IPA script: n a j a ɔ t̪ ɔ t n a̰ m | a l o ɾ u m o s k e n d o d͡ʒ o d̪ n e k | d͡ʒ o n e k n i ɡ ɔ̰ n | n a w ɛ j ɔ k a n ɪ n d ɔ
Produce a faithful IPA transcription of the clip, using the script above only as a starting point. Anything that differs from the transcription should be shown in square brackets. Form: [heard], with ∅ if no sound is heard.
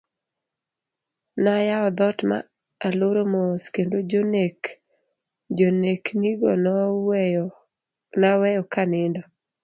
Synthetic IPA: n a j a ɔ [d̪] ɔ t [m] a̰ [∅] | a l o ɾ [o] m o s k e n d o d͡ʒ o [∅] n e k | d͡ʒ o n e k n i ɡ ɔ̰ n | n a w ɛ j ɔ k a n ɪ n d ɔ